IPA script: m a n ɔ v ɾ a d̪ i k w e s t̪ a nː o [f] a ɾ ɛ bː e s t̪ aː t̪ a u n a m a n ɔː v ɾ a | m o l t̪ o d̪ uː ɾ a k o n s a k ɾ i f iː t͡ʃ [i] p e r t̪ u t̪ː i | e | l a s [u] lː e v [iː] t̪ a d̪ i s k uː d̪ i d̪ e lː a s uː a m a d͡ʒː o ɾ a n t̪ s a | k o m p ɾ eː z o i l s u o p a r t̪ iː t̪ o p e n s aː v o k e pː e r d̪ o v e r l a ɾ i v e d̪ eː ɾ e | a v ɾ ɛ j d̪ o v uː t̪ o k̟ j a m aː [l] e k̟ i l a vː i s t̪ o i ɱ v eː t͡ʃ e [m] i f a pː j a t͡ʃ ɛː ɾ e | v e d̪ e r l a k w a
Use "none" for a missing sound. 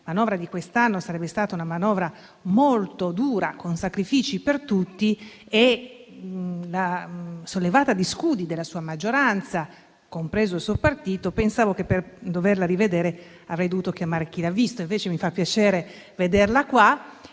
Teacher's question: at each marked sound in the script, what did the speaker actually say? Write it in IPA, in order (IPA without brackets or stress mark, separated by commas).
s, i, o, aː, ɾ, m